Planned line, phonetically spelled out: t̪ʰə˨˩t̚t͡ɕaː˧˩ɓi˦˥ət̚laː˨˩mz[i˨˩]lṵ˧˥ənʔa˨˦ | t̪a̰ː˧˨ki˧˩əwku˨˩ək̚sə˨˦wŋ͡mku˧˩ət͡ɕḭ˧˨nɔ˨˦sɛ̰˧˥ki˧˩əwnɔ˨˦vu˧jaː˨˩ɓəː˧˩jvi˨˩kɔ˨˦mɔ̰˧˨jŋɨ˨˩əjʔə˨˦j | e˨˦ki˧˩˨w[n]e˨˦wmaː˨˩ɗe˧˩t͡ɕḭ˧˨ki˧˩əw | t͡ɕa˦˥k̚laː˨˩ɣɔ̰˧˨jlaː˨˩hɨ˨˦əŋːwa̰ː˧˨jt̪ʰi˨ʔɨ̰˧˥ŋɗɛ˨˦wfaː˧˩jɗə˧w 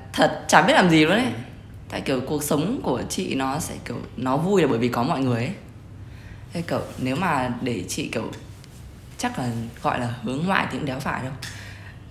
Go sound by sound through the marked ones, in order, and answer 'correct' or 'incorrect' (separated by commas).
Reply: correct, correct